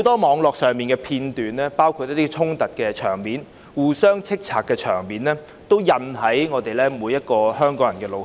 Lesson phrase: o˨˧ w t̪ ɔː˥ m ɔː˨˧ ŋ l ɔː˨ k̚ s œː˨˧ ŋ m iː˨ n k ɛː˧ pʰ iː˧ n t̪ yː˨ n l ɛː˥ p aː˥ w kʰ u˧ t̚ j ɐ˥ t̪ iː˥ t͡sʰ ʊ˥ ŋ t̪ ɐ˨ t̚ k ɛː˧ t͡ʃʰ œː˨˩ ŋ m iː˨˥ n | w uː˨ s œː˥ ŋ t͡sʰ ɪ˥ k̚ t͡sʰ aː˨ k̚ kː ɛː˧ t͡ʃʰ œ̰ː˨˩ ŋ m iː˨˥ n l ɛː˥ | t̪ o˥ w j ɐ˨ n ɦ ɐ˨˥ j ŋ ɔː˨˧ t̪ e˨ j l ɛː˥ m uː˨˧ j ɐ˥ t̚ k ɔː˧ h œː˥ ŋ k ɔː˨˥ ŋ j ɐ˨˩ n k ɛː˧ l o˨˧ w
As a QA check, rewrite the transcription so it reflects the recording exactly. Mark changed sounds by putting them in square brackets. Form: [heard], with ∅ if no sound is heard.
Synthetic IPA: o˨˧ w t̪ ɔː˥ m ɔː˨˧ ŋ l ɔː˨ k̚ s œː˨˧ ŋ m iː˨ n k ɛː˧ pʰ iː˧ n t̪ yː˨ n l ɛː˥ p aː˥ w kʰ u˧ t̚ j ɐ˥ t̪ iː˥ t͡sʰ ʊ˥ ŋ t̪ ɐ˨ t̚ k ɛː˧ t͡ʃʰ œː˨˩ ŋ m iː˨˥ n | w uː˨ s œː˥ ŋ t͡sʰ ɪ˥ k̚ t͡sʰ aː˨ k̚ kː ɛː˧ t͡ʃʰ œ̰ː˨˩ ŋ m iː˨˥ n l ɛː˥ | t̪ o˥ w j ɐ˨ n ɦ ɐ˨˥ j ŋ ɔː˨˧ t̪ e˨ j l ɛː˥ m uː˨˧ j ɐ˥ t̚ k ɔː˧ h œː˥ ŋ k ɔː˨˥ ŋ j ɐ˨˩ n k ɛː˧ l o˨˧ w

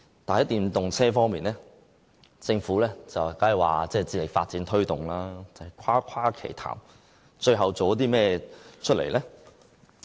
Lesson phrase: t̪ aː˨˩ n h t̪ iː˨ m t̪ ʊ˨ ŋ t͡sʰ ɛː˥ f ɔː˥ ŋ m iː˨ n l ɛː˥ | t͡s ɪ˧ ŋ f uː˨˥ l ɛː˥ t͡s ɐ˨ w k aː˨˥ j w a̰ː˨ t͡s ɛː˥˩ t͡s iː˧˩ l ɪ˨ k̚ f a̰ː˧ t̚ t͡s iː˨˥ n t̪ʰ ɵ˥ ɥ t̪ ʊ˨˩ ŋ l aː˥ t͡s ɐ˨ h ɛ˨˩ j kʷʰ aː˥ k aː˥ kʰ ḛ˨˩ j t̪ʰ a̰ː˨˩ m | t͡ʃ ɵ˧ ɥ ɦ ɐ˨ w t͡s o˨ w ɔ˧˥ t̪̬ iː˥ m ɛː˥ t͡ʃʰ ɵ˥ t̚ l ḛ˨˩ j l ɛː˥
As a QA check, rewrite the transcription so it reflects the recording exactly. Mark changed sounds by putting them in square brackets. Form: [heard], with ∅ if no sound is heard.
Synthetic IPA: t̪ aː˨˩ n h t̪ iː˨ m t̪ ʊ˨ ŋ t͡sʰ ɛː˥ f ɔː˥ ŋ m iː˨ n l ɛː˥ | t͡s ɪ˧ ŋ f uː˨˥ l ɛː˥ t͡s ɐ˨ w k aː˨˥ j w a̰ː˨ t͡s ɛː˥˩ t͡s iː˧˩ l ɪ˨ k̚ f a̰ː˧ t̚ t͡s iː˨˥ n t̪ʰ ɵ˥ ɥ t̪ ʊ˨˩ ŋ l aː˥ t͡s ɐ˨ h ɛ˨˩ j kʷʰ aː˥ [kʰ] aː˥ kʰ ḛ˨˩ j t̪ʰ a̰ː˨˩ m | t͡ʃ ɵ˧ ɥ ɦ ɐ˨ w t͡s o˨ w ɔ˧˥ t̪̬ iː˥ m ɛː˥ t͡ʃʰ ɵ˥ t̚ l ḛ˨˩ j l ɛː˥

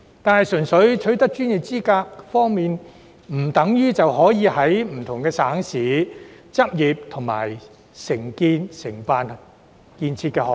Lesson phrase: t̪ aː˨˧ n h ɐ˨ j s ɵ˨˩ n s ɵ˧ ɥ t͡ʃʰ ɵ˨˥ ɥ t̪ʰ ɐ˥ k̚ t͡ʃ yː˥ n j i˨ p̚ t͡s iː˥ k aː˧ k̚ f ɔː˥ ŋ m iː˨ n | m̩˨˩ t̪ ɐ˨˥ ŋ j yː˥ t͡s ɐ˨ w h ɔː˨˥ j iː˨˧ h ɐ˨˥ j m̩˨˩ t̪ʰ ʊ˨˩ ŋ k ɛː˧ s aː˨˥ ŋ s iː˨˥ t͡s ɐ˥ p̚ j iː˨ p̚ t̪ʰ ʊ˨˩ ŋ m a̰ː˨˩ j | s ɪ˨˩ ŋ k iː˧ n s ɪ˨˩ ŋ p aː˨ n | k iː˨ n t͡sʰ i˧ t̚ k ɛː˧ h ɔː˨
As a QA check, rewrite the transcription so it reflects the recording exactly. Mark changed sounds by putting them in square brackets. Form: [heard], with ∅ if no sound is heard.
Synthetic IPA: t̪ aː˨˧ n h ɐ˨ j s ɵ˨˩ n s [ɵ˨˥] ɥ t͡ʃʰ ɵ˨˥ ɥ [t̪] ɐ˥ k̚ t͡ʃ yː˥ n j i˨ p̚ t͡s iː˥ k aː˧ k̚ f ɔː˥ ŋ m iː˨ n | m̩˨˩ t̪ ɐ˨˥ ŋ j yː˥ t͡s ɐ˨ w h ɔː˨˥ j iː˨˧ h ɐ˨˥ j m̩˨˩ t̪ʰ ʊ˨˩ ŋ k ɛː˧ s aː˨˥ ŋ s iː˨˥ t͡s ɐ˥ p̚ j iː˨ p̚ t̪ʰ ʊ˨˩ ŋ m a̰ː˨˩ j | s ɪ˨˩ ŋ k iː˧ n s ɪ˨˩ ŋ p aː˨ n | k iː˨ n t͡sʰ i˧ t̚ k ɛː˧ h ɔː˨

